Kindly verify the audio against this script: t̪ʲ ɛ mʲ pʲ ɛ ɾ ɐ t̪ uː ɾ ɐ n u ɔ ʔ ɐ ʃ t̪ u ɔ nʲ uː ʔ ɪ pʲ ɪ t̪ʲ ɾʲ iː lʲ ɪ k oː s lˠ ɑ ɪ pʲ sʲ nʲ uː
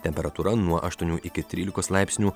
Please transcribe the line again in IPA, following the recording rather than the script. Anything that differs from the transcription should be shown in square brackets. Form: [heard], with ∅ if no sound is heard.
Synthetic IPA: t̪ʲ ɛ mʲ pʲ ɛ ɾ ɐ t̪ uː ɾ ɐ n u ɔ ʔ ɐ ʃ t̪ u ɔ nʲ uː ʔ ɪ [kʲ] ɪ t̪ʲ ɾʲ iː lʲ ɪ k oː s lˠ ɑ ɪ pʲ sʲ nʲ uː